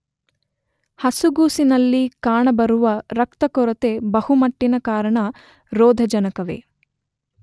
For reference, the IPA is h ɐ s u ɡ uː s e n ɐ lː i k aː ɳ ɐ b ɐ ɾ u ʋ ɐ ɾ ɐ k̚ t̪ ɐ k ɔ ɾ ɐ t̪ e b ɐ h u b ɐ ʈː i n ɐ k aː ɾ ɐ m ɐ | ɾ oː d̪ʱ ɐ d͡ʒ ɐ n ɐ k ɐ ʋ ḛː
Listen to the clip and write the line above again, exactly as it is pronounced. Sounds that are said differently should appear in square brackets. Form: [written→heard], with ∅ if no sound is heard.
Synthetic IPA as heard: h ɐ s u ɡ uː s [e→i] n ɐ lː i k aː ɳ ɐ b ɐ ɾ u ʋ ɐ ɾ ɐ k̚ t̪ ɐ k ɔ ɾ ɐ t̪ e b ɐ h u [b→m] ɐ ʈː i n ɐ k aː ɾ ɐ [m→ɳ] ɐ | ɾ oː d̪ʱ ɐ d͡ʒ ɐ n ɐ k ɐ ʋ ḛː